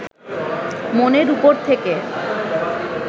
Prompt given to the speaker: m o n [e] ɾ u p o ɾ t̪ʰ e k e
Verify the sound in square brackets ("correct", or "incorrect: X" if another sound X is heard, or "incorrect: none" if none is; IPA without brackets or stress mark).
correct